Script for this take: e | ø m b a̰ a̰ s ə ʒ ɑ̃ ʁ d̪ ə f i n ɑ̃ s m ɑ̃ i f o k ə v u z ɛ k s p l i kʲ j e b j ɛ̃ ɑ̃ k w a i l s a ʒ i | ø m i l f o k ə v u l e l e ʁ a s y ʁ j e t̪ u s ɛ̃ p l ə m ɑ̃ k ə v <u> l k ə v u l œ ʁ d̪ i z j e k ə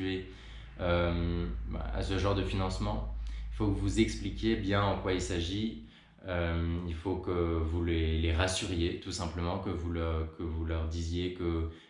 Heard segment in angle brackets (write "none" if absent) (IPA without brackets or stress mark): u